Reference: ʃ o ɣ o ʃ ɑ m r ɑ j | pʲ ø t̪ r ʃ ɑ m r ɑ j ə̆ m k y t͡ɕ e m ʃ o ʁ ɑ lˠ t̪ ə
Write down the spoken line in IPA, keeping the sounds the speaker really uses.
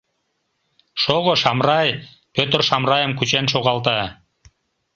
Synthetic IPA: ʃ o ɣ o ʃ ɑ m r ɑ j | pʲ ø t̪ r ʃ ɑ m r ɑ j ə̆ m k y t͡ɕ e n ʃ o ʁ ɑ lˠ t̪ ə